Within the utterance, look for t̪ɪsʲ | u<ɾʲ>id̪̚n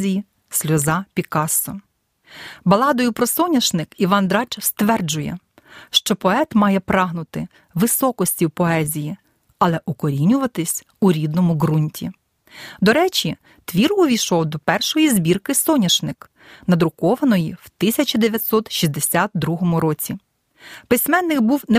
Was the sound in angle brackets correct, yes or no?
yes